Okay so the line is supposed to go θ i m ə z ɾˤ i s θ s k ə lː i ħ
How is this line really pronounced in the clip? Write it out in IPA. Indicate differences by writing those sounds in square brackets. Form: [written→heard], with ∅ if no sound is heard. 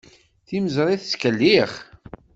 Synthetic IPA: θ i m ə z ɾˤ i [s→∅] θ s k ə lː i [ħ→χ]